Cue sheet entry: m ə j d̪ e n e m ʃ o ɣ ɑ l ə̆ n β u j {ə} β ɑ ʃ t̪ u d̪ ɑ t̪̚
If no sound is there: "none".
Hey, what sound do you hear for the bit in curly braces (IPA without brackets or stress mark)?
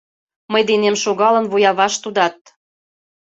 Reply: ɑ